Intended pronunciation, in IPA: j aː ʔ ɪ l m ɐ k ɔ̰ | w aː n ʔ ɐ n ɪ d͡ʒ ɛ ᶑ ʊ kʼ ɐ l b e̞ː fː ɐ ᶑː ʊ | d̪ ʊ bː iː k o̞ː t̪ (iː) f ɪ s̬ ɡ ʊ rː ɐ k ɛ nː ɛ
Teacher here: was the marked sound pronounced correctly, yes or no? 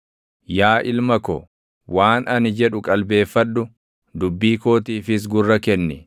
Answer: yes